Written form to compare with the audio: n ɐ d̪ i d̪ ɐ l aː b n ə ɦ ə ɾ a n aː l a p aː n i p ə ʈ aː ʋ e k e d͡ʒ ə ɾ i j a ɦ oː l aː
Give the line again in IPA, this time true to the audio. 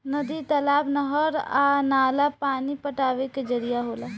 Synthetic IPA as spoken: n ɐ d̪ i t̪ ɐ l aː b n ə ɦ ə ɾ a n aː l a p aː n i p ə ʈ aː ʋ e k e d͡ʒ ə ɾ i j a ɦ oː l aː